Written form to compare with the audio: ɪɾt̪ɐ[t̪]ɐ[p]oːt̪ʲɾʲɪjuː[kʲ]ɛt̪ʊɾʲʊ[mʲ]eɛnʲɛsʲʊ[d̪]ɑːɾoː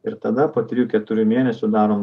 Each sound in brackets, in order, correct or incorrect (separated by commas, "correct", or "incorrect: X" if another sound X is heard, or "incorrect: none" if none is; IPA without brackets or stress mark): incorrect: d̪, correct, correct, correct, correct